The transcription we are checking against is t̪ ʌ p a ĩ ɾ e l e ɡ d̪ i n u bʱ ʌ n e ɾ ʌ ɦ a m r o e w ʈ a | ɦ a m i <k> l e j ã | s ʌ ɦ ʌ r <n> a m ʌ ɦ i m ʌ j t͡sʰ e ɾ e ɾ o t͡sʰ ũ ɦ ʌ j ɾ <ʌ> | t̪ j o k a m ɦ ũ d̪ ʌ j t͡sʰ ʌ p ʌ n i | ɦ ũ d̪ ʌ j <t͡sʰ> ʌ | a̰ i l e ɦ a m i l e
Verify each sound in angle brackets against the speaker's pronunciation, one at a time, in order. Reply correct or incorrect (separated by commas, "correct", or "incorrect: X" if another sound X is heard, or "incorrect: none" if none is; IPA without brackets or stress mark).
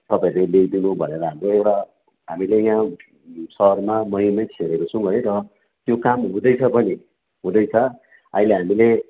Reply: incorrect: none, incorrect: m, correct, correct